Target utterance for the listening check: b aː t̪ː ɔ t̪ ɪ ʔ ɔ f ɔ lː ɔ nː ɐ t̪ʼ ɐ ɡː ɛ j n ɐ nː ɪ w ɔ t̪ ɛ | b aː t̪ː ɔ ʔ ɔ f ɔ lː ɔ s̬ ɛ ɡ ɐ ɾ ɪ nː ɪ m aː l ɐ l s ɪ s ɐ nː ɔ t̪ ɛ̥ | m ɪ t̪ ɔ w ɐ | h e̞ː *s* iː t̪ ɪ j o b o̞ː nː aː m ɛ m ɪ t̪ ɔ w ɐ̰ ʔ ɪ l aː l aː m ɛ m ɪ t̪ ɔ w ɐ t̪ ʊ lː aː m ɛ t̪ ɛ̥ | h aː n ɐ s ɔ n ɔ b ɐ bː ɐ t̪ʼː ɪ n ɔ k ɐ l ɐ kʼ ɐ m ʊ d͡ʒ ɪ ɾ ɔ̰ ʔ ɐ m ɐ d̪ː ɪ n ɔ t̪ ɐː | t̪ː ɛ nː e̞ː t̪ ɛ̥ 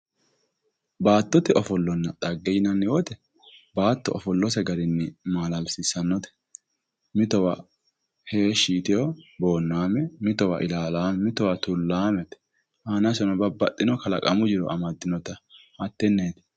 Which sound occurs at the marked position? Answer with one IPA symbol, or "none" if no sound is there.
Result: ʃ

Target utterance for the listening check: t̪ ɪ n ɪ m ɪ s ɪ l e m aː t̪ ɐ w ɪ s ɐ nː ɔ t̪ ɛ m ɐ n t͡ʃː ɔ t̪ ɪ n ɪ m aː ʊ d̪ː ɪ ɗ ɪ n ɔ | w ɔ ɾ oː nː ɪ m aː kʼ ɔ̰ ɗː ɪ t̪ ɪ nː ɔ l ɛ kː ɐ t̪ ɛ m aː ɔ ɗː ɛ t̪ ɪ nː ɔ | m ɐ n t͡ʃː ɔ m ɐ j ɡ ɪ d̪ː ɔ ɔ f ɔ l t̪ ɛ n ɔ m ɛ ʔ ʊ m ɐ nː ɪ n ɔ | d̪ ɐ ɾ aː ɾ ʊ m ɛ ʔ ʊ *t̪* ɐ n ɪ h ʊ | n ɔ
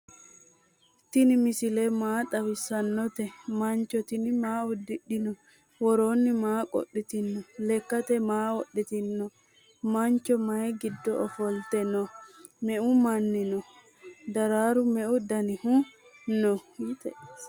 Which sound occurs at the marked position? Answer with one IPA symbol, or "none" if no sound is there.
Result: d̪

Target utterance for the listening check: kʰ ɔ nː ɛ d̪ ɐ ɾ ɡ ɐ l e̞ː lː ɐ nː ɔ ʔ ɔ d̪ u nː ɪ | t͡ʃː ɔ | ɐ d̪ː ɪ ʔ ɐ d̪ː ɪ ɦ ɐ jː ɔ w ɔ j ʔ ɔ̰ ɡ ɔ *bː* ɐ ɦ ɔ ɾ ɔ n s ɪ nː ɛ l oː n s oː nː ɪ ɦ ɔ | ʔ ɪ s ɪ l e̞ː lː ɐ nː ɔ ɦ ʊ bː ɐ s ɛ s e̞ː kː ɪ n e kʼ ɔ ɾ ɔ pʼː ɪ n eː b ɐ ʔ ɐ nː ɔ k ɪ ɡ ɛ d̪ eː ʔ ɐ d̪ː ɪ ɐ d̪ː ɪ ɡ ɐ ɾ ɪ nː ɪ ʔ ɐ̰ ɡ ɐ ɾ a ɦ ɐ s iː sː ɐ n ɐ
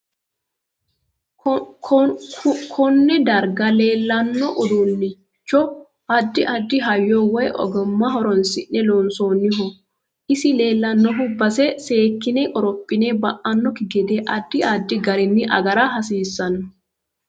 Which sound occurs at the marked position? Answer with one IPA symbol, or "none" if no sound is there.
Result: mː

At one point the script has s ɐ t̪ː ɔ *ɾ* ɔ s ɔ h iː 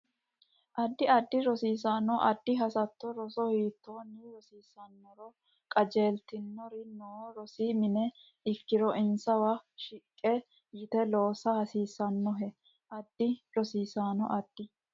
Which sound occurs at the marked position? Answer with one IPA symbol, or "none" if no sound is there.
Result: ɾ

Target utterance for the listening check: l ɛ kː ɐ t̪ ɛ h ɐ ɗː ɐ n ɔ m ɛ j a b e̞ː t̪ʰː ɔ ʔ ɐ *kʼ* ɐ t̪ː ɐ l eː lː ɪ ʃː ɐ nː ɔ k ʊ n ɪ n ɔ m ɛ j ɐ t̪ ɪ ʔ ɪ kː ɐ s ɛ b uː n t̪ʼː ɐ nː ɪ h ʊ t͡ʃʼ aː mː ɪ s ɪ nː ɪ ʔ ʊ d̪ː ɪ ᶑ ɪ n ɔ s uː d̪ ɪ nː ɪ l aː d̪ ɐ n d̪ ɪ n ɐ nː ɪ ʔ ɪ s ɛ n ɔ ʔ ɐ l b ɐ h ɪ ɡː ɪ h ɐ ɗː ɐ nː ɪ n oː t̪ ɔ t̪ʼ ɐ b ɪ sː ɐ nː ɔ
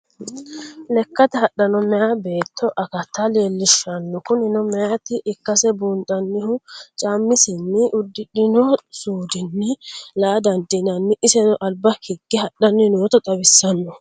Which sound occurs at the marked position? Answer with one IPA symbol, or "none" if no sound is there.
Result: k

